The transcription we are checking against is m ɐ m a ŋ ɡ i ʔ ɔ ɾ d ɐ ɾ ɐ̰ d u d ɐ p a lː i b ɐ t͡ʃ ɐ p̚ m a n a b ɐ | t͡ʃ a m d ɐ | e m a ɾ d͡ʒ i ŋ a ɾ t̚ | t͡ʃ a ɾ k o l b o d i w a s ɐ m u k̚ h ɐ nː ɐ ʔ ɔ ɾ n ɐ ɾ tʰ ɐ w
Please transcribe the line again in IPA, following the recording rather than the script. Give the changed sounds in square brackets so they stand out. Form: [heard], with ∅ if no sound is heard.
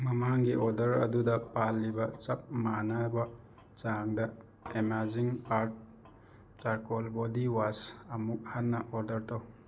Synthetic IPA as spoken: m ɐ m a ŋ ɡ i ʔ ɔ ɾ d ɐ ɾ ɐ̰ d u d ɐ p a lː i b ɐ t͡ʃ ɐ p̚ m a n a b ɐ | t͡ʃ a [ŋ] d ɐ | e m a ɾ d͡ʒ i ŋ a ɾ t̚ | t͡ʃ a ɾ k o l b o d i w a s ɐ m u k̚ h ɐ nː ɐ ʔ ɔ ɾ [d] ɐ ɾ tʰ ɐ w